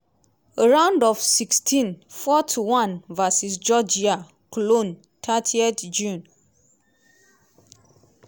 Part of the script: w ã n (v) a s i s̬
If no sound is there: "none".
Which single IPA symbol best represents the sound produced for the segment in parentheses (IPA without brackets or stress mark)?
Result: v